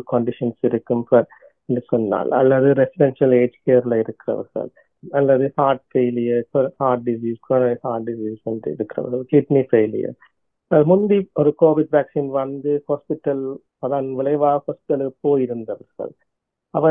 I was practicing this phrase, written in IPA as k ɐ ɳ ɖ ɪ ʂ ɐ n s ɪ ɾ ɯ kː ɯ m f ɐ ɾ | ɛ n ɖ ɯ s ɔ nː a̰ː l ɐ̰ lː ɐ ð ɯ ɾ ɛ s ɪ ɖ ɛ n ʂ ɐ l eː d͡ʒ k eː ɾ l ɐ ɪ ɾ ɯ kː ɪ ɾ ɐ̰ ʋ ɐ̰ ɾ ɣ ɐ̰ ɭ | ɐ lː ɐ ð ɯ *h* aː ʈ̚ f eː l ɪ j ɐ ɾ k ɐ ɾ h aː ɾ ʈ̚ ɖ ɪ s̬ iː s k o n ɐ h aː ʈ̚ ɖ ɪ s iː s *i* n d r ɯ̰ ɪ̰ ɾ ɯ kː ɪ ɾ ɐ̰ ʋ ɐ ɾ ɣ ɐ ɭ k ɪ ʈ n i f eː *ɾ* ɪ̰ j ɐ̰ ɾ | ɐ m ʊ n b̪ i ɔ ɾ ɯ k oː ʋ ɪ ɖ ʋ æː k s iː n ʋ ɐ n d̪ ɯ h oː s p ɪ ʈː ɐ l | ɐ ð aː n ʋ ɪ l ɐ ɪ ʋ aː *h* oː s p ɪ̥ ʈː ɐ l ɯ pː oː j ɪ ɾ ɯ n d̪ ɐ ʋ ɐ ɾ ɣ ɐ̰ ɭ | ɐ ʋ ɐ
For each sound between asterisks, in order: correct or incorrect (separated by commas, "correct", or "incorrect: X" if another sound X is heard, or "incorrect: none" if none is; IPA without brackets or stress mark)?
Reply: correct, incorrect: ɛ, incorrect: l, correct